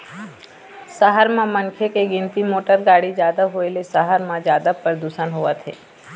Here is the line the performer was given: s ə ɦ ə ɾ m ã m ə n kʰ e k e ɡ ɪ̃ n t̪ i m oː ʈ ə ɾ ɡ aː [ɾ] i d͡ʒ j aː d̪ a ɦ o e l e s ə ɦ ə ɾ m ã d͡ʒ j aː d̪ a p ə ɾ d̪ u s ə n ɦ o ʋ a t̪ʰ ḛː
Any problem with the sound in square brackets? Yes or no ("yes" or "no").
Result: yes